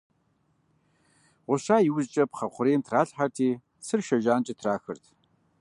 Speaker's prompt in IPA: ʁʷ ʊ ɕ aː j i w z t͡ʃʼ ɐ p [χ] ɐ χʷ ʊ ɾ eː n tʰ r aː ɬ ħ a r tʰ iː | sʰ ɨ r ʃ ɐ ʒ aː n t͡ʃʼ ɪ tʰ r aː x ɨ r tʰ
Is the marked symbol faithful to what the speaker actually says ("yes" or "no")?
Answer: yes